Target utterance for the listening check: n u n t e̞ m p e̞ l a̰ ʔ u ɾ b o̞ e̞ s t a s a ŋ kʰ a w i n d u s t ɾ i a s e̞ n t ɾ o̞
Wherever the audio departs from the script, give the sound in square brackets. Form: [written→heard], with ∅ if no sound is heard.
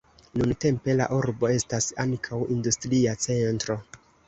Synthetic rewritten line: n u n t e̞ m p e̞ l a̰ ʔ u ɾ b o̞ e̞ s t a s a ŋ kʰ a w i n d u s t ɾ i a [s→t͡s] e̞ n t ɾ o̞